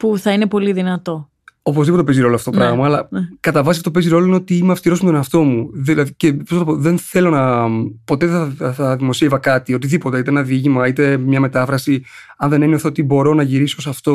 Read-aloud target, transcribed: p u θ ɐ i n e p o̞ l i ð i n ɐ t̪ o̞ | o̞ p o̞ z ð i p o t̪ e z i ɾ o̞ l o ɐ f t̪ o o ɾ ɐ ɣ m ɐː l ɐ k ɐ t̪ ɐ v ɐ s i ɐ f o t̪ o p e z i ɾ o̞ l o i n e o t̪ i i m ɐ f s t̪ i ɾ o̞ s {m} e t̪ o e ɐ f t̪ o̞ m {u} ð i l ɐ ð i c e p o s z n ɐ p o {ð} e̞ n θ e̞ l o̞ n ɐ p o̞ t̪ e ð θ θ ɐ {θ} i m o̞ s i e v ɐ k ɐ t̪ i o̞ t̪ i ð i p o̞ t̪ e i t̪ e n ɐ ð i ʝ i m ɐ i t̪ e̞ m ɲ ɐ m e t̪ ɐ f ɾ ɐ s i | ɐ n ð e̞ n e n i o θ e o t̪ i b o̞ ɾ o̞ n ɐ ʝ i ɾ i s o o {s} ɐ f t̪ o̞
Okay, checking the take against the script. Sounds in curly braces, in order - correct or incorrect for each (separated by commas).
correct, correct, correct, incorrect, correct